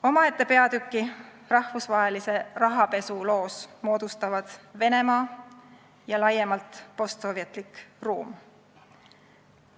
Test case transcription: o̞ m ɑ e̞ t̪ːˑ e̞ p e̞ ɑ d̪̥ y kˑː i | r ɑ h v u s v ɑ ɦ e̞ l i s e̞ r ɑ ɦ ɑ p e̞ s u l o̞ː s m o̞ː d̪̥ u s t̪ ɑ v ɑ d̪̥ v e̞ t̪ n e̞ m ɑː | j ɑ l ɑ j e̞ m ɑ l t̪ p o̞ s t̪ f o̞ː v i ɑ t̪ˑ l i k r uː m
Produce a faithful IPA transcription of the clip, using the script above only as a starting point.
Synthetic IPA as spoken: o̞ m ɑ e̞ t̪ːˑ e̞ p e̞ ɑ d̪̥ y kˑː i | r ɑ h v u s v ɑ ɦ e̞ l i s e̞ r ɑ ɦ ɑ p e̞ s u l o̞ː s m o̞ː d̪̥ u s t̪ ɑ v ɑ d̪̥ v e̞ n e̞ m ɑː | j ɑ l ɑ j e̞ m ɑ l t̪ p o̞ s t̪ s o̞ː v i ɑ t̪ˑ l i k r uː m